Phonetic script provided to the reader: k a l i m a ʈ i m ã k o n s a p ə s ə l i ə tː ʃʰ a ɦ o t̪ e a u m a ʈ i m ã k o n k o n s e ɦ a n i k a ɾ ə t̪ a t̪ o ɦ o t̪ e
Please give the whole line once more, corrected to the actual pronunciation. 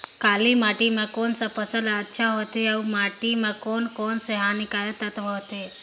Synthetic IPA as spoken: k a l i m a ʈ i m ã k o n s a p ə s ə l a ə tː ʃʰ a ɦ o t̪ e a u m a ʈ i m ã k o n k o n s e ɦ a n i k a ɾ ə t̪ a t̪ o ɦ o t̪ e